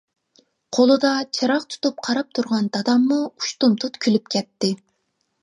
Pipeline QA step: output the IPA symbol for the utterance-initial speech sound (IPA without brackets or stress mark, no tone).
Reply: qʰ